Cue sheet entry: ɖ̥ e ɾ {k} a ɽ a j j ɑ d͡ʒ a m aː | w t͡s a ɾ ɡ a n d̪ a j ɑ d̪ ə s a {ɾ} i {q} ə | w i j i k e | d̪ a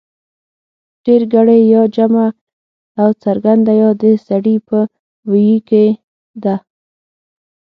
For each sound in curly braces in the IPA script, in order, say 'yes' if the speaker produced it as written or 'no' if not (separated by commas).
no, no, no